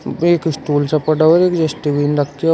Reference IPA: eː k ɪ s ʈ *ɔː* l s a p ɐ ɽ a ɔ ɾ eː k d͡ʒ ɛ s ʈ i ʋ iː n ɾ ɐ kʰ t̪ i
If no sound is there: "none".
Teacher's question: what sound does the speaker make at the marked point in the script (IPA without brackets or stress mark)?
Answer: uː